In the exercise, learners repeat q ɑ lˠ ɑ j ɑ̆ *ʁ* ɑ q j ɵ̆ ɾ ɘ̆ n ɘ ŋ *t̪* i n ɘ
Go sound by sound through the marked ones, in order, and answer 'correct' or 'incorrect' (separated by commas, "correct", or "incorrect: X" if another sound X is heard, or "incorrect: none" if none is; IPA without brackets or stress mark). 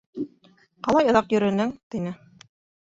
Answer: incorrect: ð, correct